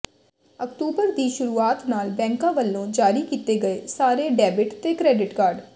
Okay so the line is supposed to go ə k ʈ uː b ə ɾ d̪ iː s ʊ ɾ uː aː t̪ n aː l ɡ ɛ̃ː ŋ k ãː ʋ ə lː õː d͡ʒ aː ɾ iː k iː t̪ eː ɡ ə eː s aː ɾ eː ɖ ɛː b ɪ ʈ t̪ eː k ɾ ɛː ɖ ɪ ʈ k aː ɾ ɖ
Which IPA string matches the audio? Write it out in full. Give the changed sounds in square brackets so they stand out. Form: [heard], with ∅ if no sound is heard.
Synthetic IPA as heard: ə k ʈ uː b ə ɾ d̪ iː [ʃ] ʊ ɾ uː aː t̪ n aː l [b] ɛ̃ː ŋ k ãː ʋ ə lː õː d͡ʒ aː ɾ iː k iː t̪ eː ɡ ə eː s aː ɾ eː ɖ ɛː b ɪ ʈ t̪ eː k ɾ ɛː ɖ ɪ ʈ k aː ɾ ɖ